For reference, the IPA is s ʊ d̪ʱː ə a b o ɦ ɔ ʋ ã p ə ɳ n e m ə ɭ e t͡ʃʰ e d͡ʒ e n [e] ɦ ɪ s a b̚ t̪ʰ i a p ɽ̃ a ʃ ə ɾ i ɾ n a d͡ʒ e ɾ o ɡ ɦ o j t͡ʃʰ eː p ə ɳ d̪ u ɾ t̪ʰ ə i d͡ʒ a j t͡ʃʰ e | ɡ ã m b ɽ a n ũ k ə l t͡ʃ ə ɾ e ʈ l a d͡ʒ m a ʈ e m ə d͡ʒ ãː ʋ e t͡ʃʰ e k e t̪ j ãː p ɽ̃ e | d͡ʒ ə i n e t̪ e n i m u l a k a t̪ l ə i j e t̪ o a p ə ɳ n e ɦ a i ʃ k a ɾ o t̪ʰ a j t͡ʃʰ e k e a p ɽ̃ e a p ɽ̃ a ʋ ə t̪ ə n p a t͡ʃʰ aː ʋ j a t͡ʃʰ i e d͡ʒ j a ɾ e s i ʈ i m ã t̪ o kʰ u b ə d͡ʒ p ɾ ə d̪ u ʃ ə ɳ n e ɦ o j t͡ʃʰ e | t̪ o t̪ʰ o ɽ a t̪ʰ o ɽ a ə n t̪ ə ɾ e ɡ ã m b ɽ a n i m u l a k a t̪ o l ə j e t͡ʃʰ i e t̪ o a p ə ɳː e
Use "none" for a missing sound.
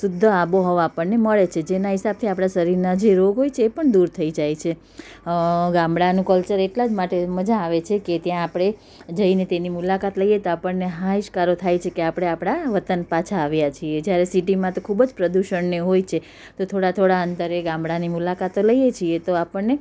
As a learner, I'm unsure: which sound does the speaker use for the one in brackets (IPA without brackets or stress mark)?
a